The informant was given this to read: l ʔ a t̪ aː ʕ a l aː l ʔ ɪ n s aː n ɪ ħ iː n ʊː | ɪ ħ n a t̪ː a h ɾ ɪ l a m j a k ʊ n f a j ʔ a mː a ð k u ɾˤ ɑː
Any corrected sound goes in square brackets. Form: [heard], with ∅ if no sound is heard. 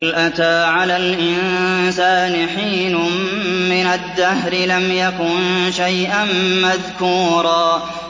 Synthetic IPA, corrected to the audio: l ʔ a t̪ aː ʕ a l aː l ʔ ɪ n s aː n ɪ ħ iː n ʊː | ɪ [∅] n a [d̪ː] a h ɾ ɪ l a m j a k ʊ n [ʃ] a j ʔ a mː a ð k [uː] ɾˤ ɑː